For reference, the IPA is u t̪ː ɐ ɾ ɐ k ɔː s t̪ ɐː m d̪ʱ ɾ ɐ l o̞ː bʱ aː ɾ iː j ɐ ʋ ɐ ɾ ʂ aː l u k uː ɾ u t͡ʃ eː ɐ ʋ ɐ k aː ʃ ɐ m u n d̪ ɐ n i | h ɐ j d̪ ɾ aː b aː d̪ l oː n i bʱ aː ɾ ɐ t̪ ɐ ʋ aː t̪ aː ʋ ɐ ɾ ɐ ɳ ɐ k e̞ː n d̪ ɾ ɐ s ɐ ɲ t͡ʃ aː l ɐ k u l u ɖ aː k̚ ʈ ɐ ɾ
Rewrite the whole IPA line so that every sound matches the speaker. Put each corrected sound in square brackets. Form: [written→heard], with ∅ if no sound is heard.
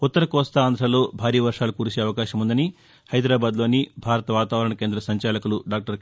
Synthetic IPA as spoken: u t̪ː ɐ ɾ ɐ k ɔː s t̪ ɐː [m→n] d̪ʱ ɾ ɐ l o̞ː bʱ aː ɾ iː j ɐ ʋ ɐ ɾ ʂ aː l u k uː ɾ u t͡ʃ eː ɐ ʋ ɐ k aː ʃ ɐ m u n d̪ ɐ n i | h ɐ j d̪ ɾ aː b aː d̪ l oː n i bʱ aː ɾ ɐ t̪ ɐ ʋ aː t̪ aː ʋ ɐ ɾ ɐ ɳ ɐ k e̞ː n d̪ ɾ ɐ s ɐ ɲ t͡ʃ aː l ɐ k u l u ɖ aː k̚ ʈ ɐ ɾ